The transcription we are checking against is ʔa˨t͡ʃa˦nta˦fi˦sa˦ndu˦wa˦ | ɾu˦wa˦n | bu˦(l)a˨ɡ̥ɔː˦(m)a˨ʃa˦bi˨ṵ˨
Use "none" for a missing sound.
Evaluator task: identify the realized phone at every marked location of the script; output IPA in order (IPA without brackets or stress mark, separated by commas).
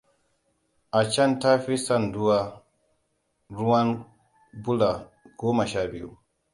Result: l, m